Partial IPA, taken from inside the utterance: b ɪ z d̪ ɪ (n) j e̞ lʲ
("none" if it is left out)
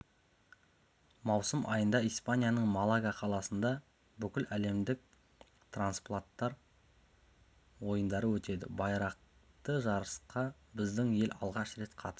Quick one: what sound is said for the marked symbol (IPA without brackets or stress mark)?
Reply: ŋ